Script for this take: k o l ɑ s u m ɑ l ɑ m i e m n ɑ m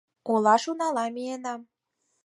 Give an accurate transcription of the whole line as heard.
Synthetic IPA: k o l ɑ ʃ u n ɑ l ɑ m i e n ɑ m

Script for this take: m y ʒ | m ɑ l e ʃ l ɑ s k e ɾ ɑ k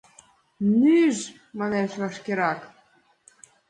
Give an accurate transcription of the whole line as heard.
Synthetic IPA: n y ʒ | m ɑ l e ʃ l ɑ ʃ k e ɾ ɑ k

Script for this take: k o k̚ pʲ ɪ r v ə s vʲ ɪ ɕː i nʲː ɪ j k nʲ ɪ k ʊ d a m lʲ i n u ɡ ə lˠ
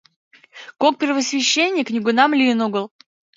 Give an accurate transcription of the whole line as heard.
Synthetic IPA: k o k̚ pʲ ɪ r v ə s vʲ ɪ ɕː e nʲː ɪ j k nʲ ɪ ɡ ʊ n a m lʲ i n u ɡ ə lˠ

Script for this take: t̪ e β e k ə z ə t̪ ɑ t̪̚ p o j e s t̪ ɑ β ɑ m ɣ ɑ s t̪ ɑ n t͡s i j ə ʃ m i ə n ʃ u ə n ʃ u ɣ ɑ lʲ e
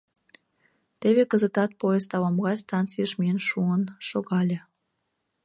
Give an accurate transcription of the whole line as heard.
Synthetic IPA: t̪ e β e k ə z ə t̪ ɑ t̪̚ p o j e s t̪ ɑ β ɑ m ɣ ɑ s t̪ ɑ n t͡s i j ə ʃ m i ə n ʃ u ə n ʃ o ɣ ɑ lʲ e

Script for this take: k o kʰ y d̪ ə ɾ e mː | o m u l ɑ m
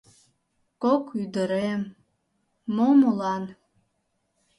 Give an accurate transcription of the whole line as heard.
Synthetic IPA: k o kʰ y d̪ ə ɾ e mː | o m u l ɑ n

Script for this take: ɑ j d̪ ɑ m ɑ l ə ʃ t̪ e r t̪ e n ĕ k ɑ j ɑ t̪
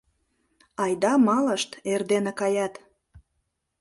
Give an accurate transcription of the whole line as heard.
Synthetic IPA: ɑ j d̪ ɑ m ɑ l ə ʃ t̪ e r d̪ e n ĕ k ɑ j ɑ t̪

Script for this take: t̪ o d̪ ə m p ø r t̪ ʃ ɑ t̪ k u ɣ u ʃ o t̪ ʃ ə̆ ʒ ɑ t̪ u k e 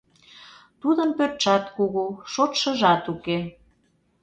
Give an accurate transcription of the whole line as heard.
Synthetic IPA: t̪ u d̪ ə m p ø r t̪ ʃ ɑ t̪ k u ɣ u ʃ o t̪ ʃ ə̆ ʒ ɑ t̪ u k e

